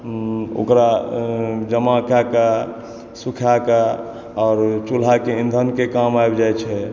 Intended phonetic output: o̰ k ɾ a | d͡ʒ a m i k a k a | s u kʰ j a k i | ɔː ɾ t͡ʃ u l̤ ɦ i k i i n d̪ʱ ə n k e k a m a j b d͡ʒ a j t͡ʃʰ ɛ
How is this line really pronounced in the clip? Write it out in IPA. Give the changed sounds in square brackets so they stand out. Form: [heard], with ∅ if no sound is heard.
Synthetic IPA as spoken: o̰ k ɾ a | d͡ʒ [ə] m [a] k a k a | s u kʰ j a k [a] | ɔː ɾ t͡ʃ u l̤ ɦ [a] k [e] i n d̪ʱ ə n k e k a m a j b d͡ʒ a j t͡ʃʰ ɛ